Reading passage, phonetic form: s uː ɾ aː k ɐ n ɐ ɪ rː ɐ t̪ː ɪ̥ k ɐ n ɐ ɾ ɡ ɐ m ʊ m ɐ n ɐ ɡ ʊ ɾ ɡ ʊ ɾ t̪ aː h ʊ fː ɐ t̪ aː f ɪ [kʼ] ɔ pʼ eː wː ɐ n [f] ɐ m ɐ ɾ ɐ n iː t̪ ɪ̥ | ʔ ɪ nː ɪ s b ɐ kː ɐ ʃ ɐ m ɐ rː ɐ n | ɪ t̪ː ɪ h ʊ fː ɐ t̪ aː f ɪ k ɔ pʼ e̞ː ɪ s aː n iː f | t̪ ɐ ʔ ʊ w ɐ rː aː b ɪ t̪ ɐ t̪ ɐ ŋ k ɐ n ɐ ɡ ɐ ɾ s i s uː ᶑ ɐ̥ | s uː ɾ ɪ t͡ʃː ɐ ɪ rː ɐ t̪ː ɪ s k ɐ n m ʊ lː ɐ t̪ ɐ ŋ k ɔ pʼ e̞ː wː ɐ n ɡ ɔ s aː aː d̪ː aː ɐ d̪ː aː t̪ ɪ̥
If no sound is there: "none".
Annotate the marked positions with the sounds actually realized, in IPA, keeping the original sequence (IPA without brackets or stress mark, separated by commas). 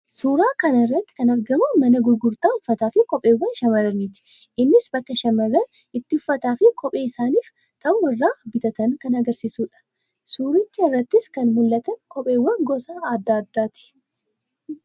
k, ʃ